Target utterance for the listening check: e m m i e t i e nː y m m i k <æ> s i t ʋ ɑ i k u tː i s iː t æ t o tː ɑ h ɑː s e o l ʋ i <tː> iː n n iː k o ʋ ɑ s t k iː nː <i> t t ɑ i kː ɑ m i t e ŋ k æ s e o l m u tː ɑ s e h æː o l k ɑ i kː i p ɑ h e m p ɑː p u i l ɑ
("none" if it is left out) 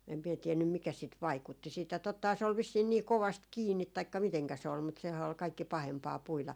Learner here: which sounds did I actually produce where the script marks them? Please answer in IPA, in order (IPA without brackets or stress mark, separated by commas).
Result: æ, sː, i